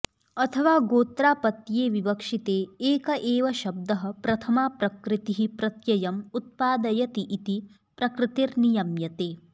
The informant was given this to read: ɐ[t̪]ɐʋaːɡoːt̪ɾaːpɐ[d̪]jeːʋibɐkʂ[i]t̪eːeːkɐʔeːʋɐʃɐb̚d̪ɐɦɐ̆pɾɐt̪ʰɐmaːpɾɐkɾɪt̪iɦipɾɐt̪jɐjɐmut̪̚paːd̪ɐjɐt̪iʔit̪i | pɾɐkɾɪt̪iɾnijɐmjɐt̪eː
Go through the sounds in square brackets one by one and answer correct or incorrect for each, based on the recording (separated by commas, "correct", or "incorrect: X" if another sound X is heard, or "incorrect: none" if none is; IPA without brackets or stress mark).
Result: incorrect: t̪ʰ, incorrect: t̪, correct